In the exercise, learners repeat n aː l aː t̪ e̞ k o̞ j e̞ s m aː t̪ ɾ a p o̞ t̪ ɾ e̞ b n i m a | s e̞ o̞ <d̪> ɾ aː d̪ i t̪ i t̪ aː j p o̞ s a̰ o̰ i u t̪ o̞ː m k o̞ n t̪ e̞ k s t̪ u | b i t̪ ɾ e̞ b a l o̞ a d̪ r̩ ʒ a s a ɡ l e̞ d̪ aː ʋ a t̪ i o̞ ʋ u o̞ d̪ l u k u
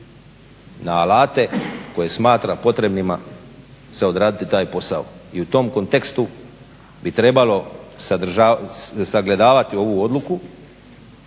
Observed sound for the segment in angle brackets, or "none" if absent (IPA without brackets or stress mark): d̪